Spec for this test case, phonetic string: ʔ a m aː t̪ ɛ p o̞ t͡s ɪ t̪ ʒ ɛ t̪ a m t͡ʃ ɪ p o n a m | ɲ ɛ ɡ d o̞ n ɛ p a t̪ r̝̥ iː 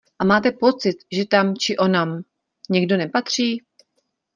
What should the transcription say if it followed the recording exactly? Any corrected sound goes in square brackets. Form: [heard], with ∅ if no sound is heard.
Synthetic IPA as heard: ʔ a m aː t̪ ɛ p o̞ t͡s ɪ t̪ ʒ ɛ t̪ a m t͡ʃ ɪ [ʔ] o n a m | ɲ ɛ ɡ d o̞ n ɛ p a t̪ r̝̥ iː